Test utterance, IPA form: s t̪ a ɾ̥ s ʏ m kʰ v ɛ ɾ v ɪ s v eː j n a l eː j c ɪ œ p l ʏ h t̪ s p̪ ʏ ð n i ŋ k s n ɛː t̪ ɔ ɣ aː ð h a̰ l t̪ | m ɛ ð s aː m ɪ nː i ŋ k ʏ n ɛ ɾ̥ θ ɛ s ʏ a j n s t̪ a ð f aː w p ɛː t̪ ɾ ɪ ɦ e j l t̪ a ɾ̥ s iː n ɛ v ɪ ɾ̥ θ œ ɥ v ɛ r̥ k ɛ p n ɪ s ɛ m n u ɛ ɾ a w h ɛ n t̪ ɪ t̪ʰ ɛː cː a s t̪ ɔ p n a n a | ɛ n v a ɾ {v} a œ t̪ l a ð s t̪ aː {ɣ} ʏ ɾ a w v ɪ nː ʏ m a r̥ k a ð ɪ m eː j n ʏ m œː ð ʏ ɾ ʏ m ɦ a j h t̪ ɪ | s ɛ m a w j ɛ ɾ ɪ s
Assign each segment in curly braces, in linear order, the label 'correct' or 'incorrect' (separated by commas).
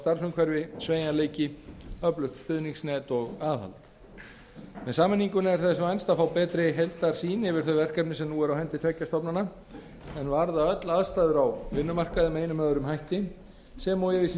incorrect, incorrect